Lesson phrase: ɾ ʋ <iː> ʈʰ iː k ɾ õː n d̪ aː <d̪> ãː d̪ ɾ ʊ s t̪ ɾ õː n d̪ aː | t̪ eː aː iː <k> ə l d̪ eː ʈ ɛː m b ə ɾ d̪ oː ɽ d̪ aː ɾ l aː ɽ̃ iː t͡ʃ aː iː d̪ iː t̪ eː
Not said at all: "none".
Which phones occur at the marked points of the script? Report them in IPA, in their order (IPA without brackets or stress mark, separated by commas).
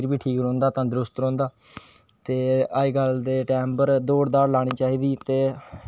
iː, t̪, ɡ